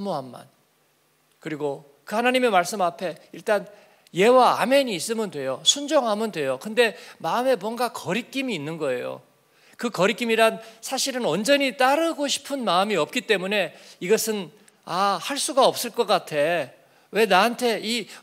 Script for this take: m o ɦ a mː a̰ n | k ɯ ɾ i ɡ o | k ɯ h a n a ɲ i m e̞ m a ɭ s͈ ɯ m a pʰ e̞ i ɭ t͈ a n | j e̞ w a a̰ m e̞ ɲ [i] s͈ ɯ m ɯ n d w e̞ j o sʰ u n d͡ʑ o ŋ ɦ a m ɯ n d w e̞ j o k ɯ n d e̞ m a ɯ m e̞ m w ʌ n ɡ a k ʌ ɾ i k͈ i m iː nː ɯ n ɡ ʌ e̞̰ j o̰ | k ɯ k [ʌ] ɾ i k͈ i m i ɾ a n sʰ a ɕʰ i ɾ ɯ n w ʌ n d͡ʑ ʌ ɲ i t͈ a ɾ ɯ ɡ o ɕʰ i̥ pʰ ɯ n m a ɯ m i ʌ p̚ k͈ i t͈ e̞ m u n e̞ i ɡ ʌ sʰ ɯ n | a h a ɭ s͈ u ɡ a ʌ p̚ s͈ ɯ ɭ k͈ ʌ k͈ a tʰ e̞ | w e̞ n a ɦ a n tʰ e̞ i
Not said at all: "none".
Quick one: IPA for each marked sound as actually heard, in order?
iː, ʌ

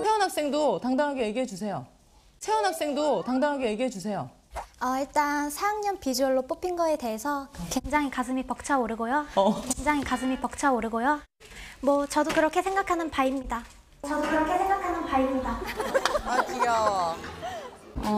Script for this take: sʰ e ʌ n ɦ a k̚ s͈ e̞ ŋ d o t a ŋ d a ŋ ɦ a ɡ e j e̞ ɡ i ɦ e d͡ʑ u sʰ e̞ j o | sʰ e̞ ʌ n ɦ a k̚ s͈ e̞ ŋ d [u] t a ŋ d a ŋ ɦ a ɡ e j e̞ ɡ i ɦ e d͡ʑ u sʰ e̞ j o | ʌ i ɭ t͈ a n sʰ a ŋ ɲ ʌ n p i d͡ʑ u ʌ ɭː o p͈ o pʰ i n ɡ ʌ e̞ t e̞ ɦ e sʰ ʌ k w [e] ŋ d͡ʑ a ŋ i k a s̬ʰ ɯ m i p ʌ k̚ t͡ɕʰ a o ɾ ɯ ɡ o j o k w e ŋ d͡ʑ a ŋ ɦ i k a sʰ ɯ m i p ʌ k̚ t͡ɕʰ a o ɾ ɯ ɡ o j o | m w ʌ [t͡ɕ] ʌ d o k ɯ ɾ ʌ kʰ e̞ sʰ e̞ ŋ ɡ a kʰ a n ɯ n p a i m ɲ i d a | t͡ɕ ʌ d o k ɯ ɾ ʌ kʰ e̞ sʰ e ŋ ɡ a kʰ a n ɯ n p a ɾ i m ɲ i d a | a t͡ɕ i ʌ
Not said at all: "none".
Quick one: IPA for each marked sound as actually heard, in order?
o, e, t͡ɕ

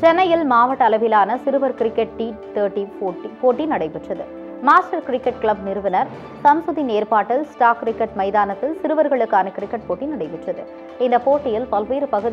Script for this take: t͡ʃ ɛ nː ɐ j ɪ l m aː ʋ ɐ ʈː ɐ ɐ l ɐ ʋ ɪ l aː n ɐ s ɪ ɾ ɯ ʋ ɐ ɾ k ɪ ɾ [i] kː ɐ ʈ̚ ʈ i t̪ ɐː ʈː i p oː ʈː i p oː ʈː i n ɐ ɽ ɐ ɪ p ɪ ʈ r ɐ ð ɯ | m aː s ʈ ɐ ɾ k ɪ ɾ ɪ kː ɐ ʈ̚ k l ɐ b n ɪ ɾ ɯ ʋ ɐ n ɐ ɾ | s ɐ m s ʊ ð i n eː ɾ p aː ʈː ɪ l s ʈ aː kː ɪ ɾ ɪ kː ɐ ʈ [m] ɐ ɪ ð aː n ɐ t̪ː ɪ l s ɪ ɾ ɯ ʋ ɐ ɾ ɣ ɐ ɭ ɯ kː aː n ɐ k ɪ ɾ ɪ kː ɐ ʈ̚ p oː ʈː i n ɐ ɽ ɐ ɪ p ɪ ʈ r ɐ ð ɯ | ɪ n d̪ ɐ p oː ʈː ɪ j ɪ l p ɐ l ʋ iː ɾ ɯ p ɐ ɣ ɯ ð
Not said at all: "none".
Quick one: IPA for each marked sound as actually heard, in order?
ɪ, m

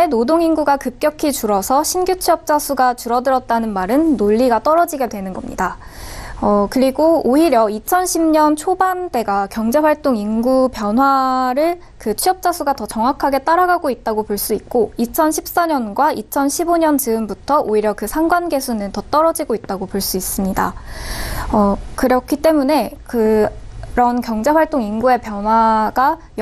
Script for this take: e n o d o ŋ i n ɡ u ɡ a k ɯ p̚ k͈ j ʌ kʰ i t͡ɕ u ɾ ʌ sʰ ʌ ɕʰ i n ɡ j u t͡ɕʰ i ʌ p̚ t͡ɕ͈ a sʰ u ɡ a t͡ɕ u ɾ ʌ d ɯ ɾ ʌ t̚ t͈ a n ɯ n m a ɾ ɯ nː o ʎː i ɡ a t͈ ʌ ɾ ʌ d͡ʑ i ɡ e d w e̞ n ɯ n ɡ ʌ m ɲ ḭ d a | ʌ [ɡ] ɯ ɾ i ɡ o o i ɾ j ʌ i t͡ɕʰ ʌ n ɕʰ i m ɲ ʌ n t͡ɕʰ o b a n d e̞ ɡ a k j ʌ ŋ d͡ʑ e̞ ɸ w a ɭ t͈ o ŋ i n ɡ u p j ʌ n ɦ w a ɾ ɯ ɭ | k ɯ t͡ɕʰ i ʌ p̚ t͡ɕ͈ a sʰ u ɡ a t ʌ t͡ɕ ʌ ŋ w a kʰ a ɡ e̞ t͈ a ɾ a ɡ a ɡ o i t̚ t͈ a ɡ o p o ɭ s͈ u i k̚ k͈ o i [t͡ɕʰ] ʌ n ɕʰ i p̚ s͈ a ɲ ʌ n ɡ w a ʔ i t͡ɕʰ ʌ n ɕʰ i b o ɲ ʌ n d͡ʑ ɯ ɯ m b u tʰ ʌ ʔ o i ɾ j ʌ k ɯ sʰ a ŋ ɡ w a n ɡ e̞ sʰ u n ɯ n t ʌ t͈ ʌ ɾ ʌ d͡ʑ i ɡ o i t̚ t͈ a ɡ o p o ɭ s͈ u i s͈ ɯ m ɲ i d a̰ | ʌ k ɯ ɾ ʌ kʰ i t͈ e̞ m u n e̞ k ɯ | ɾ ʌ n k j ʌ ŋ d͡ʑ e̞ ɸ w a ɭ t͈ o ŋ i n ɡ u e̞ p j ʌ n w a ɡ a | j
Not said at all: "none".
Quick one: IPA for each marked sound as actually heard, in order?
k, t͡ɕʰ

